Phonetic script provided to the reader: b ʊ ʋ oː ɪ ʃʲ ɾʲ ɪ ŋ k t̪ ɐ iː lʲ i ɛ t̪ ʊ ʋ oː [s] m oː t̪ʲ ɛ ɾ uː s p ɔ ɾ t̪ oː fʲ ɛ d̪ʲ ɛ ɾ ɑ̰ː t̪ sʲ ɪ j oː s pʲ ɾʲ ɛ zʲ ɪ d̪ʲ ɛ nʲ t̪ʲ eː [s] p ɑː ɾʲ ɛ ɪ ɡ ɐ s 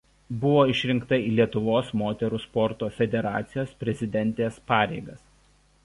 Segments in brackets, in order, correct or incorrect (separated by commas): correct, correct